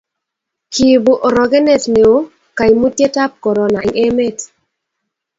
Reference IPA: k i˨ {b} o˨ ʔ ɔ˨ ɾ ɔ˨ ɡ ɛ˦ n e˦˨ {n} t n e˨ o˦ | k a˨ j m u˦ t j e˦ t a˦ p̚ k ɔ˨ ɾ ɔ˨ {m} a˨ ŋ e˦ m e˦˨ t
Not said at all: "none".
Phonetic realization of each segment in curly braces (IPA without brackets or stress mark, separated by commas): b, none, n